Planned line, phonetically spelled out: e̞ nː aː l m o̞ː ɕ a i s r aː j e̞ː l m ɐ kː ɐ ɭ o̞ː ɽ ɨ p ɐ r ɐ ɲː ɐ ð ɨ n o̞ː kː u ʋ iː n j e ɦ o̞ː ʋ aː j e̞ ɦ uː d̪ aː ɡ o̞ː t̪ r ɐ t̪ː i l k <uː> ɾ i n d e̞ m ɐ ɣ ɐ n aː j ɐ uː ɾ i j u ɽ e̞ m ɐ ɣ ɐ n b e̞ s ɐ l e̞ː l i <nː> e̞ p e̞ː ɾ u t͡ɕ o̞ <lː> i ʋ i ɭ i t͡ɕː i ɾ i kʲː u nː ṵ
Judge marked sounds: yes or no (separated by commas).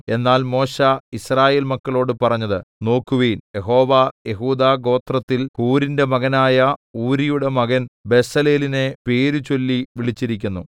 yes, no, yes